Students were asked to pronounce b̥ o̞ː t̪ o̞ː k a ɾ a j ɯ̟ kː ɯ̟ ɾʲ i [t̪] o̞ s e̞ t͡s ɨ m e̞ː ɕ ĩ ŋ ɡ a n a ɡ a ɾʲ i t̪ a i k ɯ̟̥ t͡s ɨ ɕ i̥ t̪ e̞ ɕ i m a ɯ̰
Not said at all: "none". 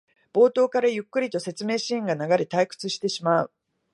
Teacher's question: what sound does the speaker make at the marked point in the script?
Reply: t̪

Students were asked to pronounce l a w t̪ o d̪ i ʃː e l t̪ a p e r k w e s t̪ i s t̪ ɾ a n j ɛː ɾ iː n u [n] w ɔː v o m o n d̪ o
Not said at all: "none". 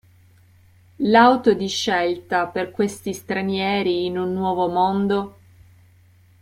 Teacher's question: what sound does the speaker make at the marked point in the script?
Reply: nː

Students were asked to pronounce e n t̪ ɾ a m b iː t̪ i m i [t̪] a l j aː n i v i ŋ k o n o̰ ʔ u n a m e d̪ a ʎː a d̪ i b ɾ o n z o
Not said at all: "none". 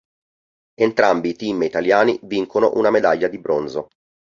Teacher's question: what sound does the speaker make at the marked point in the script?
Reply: t̪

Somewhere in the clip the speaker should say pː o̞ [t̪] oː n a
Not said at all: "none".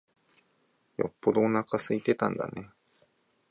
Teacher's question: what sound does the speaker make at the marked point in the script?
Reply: d̪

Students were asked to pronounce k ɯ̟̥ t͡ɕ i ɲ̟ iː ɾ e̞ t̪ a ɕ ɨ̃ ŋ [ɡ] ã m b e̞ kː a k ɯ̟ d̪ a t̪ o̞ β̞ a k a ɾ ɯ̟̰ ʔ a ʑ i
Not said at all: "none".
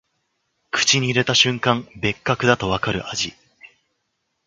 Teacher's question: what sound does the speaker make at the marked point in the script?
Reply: k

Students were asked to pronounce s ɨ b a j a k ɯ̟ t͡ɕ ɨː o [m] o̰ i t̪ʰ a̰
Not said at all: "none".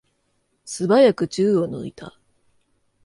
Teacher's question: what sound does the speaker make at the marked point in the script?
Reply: n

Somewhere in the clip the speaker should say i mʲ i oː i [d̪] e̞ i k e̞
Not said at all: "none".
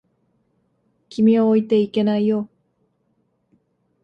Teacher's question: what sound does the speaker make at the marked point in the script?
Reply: t̪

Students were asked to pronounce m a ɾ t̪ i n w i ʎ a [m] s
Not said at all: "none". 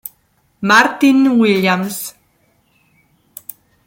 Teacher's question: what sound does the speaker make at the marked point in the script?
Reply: m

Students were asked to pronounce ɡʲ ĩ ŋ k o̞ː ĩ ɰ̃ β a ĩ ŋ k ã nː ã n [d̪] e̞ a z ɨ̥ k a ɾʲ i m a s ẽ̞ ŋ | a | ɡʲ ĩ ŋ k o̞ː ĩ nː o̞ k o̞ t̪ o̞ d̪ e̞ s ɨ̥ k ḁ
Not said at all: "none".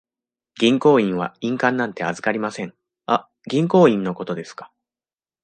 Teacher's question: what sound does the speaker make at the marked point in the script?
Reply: t̪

